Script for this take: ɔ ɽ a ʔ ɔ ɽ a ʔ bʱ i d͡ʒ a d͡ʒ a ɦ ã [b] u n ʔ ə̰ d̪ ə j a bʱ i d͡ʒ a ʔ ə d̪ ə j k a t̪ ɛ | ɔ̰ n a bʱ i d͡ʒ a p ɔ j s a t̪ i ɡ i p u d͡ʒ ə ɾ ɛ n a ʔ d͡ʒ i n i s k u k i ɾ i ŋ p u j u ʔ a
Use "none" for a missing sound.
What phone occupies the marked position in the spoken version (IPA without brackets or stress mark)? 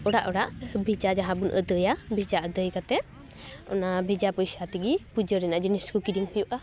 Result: b